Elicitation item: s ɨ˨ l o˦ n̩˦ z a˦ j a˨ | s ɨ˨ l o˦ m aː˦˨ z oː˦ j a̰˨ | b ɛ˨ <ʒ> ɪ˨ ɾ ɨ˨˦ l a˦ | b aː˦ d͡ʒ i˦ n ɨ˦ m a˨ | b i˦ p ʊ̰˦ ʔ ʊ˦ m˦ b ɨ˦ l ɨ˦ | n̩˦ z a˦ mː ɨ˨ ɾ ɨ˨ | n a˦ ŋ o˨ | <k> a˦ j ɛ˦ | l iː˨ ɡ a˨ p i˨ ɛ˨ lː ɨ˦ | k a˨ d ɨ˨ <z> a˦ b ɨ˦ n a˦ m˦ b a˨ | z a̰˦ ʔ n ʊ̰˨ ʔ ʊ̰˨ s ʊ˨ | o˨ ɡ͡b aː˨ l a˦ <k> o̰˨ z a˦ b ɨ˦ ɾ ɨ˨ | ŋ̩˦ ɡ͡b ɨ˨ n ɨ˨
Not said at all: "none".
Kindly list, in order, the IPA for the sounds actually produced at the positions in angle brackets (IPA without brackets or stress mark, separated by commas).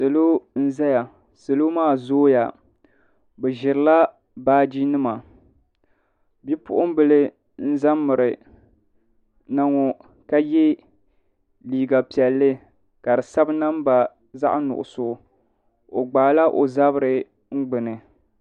ʒ, k, s, ʔ